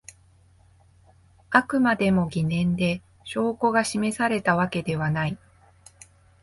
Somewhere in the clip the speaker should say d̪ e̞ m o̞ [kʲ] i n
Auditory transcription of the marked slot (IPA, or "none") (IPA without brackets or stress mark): ɡʲ